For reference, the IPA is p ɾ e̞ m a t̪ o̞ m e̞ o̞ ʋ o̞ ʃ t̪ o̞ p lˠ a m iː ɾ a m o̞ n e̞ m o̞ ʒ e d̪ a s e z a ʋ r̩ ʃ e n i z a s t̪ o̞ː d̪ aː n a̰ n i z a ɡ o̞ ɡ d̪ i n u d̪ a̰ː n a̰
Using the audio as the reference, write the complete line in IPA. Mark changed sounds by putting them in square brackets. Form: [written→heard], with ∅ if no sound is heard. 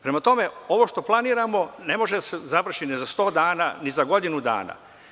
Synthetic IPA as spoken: p ɾ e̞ m a t̪ o̞ m e̞ o̞ ʋ o̞ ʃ t̪ o̞ p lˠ a [m→n] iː ɾ a m o̞ n e̞ m o̞ ʒ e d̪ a s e z a ʋ r̩ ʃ [e→i] n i z a s t̪ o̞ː d̪ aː n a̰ n i z a ɡ o̞ [ɡ→∅] d̪ i n u d̪ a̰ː n a̰